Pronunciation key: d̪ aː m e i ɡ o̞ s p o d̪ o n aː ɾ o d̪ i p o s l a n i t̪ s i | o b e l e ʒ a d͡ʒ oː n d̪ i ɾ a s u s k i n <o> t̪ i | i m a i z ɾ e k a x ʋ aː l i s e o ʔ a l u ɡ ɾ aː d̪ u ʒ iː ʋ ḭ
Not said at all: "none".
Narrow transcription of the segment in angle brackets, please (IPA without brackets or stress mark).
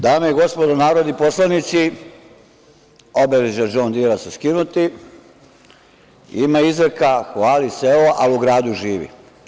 u